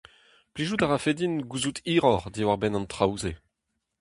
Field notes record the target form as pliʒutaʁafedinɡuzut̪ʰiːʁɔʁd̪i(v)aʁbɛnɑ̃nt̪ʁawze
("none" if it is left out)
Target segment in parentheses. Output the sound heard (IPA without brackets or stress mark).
w